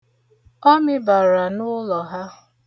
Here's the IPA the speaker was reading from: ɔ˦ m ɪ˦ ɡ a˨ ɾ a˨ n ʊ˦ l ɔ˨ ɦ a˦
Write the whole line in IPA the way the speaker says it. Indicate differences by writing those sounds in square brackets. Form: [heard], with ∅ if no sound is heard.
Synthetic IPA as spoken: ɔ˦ m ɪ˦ [b] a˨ ɾ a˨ n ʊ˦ l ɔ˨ ɦ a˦